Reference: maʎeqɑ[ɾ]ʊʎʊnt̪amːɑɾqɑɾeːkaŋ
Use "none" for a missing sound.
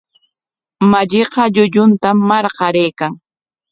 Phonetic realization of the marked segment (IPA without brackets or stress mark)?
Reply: ʎ